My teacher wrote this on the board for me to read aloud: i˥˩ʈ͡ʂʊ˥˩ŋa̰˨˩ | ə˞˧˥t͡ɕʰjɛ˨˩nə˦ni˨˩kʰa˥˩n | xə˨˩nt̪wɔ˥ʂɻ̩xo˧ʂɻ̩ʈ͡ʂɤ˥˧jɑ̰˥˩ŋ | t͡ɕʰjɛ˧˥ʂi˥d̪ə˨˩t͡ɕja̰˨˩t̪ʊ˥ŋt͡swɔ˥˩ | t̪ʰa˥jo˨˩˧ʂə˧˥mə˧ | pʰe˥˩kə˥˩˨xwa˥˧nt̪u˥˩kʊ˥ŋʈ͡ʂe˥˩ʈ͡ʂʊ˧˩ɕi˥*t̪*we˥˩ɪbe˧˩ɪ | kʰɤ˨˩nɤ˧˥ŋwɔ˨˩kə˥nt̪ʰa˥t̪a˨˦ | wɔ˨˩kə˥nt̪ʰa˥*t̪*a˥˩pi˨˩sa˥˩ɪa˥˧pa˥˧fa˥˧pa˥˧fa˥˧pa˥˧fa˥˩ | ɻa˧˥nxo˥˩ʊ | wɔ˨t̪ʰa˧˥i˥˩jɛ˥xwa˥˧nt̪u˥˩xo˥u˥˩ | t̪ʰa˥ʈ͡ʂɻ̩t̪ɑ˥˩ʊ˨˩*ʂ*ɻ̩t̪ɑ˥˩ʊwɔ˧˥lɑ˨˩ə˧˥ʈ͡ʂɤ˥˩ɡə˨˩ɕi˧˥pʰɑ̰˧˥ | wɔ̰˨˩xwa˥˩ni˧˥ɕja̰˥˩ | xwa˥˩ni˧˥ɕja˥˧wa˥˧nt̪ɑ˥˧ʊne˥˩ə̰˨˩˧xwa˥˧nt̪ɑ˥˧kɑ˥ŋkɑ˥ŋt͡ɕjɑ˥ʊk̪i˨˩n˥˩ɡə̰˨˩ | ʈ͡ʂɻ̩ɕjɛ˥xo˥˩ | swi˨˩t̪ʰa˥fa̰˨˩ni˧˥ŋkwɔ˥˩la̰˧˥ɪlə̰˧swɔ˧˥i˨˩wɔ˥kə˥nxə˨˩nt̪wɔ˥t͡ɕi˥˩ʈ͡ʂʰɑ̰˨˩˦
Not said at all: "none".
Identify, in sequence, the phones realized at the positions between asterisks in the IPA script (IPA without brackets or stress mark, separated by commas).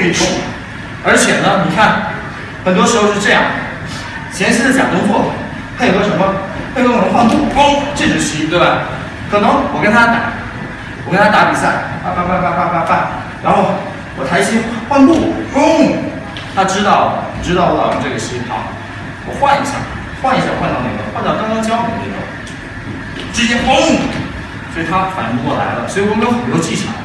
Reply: t̪, t̪, ʈ͡ʂ